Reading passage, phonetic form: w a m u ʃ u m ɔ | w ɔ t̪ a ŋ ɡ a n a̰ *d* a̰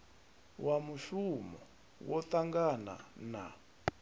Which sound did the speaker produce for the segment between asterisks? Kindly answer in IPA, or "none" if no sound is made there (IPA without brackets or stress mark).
n